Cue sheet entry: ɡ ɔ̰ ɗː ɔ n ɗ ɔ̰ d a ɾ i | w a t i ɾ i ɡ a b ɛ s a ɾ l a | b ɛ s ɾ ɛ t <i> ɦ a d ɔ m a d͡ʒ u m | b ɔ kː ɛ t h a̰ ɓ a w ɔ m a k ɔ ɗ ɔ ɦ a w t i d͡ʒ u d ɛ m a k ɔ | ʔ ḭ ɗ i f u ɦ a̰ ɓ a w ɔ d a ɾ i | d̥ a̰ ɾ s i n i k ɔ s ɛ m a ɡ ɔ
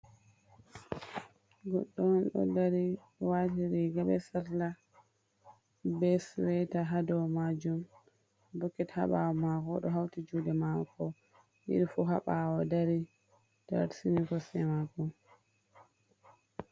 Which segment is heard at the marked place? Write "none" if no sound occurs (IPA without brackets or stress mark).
a